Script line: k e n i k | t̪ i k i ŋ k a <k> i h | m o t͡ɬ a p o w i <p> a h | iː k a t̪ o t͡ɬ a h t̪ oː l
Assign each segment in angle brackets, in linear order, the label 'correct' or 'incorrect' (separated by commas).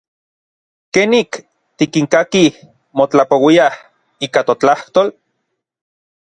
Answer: correct, incorrect